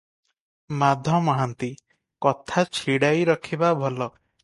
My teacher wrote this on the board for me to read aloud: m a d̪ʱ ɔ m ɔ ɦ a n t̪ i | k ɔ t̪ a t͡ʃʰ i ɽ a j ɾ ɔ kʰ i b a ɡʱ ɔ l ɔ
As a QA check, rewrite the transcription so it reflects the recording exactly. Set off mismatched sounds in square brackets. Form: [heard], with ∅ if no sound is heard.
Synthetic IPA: m a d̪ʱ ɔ m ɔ ɦ a n t̪ i | k ɔ [t̪ʰ] a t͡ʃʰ i ɽ a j ɾ ɔ kʰ i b a [bʱ] ɔ l ɔ

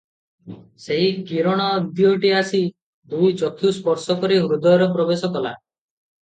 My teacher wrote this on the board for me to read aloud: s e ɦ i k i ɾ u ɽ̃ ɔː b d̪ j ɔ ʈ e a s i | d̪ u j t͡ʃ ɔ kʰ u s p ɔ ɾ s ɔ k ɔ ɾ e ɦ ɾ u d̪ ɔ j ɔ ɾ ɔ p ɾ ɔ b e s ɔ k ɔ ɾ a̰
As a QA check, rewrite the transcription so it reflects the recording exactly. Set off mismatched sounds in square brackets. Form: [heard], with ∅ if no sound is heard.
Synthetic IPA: s e ɦ i k i ɾ [ɔ] ɽ̃ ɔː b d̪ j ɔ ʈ [i] a s i | d̪ u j t͡ʃ ɔ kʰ u s p ɔ ɾ s ɔ k ɔ ɾ [i] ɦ ɾ u d̪ ɔ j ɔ ɾ ɔ p ɾ ɔ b e s ɔ k ɔ [l] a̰

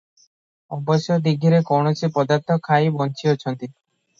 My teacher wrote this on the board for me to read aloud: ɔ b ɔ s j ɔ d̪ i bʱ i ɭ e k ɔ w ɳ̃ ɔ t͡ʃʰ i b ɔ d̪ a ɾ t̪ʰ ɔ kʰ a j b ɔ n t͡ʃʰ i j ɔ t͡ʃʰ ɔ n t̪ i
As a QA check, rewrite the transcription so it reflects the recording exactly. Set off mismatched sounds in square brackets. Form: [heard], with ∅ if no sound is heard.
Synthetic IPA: ɔ b ɔ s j ɔ d̪ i [ɡʱ] i [ɾ] e k ɔ w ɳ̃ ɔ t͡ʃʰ i [p] ɔ d̪ a ɾ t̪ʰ ɔ kʰ a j b ɔ n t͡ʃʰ i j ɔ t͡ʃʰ ɔ n t̪ i

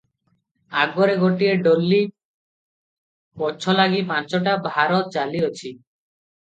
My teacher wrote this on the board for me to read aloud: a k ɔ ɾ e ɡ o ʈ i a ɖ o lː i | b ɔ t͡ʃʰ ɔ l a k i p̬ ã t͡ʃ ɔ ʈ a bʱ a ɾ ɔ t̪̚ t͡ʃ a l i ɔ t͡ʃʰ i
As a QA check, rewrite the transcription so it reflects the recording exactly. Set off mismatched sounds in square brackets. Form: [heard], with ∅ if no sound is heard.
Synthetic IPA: a [ɡ] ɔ ɾ e ɡ o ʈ i [e] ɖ o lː i | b ɔ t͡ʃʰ ɔ l a [ɡ] i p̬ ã t͡ʃ ɔ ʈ a bʱ a ɾ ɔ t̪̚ t͡ʃ a l i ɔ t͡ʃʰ i

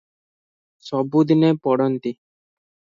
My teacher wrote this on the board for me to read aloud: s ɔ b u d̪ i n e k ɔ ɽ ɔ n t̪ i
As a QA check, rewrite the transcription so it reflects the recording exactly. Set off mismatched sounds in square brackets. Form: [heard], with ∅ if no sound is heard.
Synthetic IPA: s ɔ b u d̪ i n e [p] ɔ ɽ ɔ n t̪ i

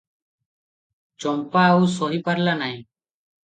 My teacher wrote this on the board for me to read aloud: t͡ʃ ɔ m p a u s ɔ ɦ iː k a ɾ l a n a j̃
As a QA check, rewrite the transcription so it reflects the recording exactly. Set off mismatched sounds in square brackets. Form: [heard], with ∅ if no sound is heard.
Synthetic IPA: t͡ʃ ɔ m p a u s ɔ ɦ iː [p] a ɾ l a n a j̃

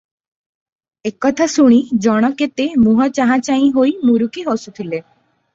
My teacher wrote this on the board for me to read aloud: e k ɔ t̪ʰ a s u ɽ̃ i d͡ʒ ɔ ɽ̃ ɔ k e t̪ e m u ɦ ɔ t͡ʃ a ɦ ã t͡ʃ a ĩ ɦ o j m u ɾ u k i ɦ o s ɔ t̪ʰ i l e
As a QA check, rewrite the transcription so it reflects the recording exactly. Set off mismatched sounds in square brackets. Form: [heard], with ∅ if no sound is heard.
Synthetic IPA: e k ɔ t̪ʰ a s u ɽ̃ i d͡ʒ ɔ ɽ̃ ɔ k e t̪ e m u ɦ ɔ t͡ʃ a ɦ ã t͡ʃ a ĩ ɦ o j m u ɾ u k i ɦ o s [u] t̪ʰ i l e

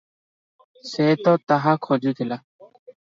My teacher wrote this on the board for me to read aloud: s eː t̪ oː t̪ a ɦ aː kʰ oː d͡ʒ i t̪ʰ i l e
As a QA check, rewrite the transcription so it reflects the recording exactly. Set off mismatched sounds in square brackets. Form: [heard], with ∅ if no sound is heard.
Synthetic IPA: s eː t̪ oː t̪ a ɦ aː kʰ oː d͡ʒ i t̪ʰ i l [a]

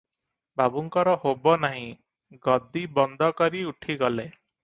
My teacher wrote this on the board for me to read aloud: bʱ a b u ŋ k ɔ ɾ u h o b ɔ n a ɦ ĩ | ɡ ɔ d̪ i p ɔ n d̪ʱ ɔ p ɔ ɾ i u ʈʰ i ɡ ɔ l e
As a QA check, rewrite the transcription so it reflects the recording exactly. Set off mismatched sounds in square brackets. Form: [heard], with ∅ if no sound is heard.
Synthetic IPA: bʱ a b u ŋ k ɔ ɾ [ɔ] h o b ɔ n a ɦ ĩ | ɡ ɔ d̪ i [b] ɔ n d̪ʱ ɔ [k] ɔ ɾ i u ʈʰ i ɡ ɔ l e

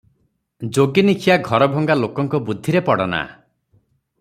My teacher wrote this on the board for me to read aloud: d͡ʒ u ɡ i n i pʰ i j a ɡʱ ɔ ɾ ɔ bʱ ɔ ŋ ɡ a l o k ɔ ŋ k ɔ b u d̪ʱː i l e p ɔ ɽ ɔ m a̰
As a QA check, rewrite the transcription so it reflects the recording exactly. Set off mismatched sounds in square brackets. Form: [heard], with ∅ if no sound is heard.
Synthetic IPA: d͡ʒ [o] ɡ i n i [kʰ] i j a ɡʱ ɔ ɾ ɔ bʱ ɔ ŋ ɡ a l o k ɔ ŋ k ɔ b u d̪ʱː i [ɾ] e p ɔ ɽ ɔ [n] a̰

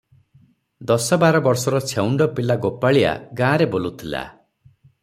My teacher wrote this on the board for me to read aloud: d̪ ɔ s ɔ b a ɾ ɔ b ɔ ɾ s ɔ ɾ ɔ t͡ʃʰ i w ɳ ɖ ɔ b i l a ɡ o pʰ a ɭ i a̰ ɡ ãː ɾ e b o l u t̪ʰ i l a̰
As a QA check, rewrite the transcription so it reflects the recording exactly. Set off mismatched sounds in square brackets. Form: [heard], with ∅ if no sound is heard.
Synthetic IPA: d̪ ɔ s ɔ b a ɾ ɔ b ɔ ɾ s ɔ ɾ ɔ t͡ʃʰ [e] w ɳ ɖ ɔ [p] i l a ɡ o [p] a ɭ i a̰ ɡ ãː ɾ e b o l u t̪ʰ i l a̰

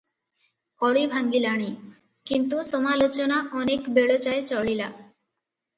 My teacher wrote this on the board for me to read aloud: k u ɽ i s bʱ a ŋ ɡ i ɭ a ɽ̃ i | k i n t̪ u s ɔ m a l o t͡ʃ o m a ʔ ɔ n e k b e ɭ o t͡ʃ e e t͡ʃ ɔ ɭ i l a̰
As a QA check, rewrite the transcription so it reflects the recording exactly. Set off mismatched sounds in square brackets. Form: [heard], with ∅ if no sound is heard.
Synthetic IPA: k [ɔ] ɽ i [∅] bʱ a ŋ ɡ i [l] a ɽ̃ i | k i n t̪ u s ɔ m a l o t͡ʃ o [n] a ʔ ɔ n e k b e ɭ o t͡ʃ [a] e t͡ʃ ɔ ɭ i l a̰

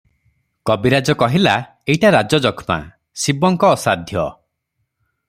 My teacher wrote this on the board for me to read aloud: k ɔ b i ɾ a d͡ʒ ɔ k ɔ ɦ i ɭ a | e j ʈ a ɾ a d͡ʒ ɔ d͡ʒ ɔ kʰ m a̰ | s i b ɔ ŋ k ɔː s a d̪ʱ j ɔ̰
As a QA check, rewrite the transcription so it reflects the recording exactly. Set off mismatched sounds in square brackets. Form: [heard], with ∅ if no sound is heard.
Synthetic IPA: k ɔ b i ɾ a d͡ʒ ɔ k ɔ ɦ i [l] a | e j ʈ a ɾ a d͡ʒ ɔ d͡ʒ ɔ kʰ m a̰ | s i b ɔ ŋ k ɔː s a d̪ʱ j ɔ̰

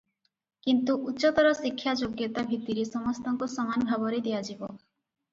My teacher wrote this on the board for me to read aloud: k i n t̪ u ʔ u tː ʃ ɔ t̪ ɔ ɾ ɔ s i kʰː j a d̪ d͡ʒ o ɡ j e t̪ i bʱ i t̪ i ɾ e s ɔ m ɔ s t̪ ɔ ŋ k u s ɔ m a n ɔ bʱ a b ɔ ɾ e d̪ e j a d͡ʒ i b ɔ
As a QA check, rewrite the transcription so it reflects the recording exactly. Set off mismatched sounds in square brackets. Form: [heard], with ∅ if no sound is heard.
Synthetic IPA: k i n t̪ u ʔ u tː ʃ ɔ t̪ ɔ ɾ ɔ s i kʰː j a [∅] d͡ʒ o ɡ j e t̪ [a] bʱ i t̪ i ɾ e s ɔ m ɔ s t̪ ɔ ŋ k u s ɔ m a n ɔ bʱ a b ɔ ɾ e d̪ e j a d͡ʒ i b ɔ

